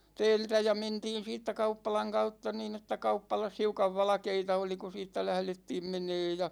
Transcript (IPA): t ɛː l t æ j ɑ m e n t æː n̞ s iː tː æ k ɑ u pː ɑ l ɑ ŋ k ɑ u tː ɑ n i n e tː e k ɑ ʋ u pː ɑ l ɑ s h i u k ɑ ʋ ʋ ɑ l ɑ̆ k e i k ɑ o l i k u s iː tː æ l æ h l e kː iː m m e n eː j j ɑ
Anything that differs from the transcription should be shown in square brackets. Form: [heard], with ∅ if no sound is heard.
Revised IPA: t ɛː l t æ j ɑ m e n t [iː] n̞ s iː tː æ k ɑ u pː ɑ l ɑ ŋ k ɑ u tː ɑ n [iː] n e tː [æ] k ɑ [∅] u pː ɑ l ɑ s h i u k ɑ ʋ ʋ ɑ l ɑ̆ k e i [t] ɑ o l i k u s iː tː æ l æ h l e [tː] iː m m e n eː j j ɑ